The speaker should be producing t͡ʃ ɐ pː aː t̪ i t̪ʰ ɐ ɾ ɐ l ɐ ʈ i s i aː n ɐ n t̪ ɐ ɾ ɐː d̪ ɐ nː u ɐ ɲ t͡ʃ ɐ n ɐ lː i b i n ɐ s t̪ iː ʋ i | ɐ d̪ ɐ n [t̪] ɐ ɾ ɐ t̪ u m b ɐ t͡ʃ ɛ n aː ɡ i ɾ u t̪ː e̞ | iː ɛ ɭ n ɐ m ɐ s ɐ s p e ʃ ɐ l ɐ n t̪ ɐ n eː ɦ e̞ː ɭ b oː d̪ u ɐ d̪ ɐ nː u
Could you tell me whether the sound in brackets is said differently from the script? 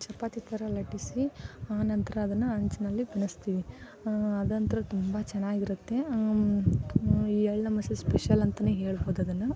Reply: no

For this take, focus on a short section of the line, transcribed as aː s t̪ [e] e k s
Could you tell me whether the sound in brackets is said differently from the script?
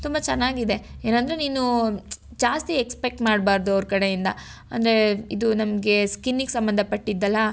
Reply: yes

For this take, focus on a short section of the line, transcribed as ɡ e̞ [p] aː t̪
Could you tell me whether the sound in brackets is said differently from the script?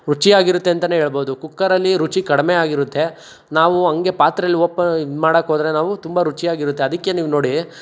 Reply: no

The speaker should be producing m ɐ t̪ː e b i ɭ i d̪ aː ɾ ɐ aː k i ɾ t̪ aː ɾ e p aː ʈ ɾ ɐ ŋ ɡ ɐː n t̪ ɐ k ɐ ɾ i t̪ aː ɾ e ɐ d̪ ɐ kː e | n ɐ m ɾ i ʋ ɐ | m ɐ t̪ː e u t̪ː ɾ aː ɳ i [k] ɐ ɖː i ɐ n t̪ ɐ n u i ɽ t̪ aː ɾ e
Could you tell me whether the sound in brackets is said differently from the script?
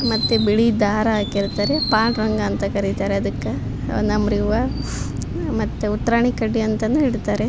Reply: no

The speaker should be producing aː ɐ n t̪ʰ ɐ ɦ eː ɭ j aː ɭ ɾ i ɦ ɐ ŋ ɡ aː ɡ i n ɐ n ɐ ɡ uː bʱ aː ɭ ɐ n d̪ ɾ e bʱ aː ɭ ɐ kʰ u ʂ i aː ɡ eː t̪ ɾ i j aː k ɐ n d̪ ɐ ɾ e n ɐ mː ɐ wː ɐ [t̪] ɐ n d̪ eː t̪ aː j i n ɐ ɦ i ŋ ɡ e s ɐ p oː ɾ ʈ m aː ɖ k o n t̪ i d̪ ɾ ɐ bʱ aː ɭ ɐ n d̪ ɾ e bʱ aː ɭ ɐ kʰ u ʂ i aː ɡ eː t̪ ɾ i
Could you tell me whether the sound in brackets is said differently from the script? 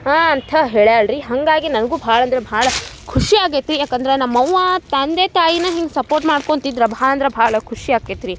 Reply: no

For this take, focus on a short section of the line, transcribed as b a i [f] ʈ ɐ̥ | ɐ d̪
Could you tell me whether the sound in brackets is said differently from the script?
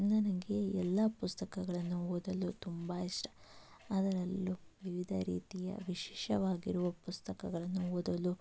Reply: yes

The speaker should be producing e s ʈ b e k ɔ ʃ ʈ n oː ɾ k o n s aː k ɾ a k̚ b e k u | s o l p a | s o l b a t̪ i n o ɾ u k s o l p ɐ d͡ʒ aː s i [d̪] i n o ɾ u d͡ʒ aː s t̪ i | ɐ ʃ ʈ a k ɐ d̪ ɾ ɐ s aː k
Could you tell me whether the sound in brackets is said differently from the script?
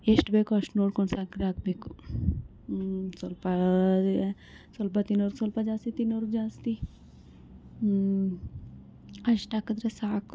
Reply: yes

